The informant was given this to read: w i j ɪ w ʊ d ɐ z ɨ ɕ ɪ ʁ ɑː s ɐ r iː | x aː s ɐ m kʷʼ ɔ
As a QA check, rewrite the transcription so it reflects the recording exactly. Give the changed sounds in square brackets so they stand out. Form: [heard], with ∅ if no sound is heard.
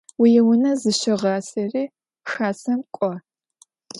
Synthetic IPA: w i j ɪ w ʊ [n] ɐ z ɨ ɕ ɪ ʁ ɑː s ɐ r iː | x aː s ɐ m kʷʼ ɔ